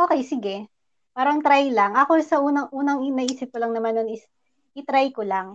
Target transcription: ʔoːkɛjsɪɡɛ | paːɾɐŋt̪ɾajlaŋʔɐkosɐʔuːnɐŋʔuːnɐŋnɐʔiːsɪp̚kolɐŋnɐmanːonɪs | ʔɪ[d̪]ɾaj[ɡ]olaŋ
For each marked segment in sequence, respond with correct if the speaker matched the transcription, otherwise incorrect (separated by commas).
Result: incorrect, incorrect